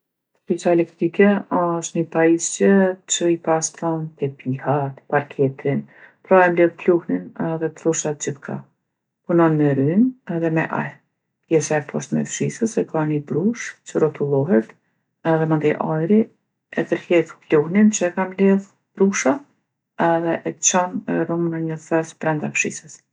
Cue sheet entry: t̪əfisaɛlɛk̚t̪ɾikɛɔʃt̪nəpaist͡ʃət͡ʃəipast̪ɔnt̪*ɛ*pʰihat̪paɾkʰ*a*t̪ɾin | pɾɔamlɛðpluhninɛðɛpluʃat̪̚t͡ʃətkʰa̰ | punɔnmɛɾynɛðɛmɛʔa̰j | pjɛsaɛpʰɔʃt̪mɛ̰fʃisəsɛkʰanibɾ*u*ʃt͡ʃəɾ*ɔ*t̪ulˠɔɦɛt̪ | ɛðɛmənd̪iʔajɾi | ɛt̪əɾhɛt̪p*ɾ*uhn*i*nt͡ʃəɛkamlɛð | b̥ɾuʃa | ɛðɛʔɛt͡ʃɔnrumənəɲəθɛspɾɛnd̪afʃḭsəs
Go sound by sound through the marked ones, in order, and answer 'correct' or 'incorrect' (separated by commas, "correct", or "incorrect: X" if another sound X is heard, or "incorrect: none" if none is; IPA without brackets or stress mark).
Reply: correct, incorrect: ɛ, correct, correct, incorrect: l, correct